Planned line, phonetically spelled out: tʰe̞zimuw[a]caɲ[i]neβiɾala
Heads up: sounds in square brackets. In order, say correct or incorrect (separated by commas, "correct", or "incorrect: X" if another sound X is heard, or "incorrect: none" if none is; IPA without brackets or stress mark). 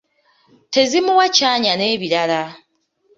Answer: correct, incorrect: a